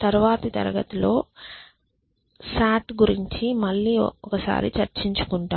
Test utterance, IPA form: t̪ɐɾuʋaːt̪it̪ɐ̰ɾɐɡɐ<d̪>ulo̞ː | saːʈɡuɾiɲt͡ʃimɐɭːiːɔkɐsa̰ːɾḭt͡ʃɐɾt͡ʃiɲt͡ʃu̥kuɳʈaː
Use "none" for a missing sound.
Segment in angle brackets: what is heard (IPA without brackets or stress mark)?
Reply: t̪